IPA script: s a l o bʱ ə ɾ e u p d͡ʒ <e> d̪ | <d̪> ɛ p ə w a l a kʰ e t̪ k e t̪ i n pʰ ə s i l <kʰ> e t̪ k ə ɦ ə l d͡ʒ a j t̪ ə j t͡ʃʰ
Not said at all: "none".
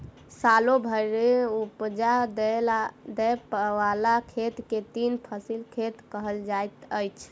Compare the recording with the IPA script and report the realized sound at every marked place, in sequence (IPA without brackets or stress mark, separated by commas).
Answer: a, d̪, kʰ